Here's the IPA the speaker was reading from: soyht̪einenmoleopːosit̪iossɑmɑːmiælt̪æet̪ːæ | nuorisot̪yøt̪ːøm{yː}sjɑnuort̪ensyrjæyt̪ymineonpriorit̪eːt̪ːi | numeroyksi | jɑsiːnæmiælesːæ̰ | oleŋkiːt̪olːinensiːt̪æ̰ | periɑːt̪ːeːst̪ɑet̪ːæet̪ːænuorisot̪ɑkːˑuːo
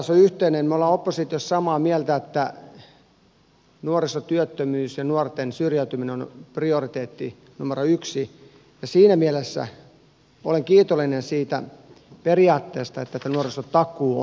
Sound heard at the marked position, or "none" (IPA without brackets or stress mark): yː